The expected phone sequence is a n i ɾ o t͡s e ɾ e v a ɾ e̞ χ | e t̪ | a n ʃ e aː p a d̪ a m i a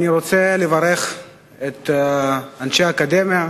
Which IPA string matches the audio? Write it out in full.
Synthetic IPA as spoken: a n i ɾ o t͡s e l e v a ɾ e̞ χ | e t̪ | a n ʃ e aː k a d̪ e m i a